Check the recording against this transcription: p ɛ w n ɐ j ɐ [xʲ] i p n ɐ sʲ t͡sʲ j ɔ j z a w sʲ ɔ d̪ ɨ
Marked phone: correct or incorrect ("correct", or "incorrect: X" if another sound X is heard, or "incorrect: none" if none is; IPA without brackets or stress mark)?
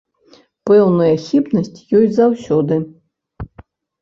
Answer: correct